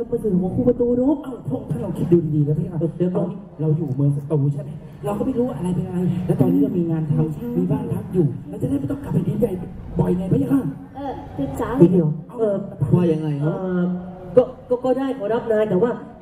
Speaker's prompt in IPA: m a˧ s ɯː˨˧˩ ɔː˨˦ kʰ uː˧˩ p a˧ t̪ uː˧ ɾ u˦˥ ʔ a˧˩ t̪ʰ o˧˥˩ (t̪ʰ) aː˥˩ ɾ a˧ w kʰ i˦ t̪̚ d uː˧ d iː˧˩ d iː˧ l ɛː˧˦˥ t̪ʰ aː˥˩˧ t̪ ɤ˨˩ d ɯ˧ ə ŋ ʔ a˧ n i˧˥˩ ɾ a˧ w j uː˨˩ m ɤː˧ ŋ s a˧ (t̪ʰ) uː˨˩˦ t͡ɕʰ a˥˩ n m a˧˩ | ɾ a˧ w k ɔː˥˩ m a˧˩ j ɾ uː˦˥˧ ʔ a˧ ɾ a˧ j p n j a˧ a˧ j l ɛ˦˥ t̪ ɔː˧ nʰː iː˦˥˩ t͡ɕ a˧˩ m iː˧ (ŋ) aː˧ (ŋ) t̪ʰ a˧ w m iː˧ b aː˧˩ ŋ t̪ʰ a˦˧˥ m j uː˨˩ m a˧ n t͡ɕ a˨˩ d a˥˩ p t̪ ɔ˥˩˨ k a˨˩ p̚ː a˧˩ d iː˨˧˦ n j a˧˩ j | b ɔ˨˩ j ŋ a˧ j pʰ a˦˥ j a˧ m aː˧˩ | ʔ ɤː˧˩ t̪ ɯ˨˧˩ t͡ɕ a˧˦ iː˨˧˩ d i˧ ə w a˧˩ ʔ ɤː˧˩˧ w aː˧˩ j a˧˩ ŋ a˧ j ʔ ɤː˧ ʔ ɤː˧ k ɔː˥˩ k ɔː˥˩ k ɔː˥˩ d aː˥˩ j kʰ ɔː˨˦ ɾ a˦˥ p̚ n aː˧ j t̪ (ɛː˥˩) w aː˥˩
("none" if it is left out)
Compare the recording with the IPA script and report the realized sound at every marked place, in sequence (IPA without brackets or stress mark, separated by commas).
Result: t̪ʰ, t̪, ŋ, n, ɛː˨˩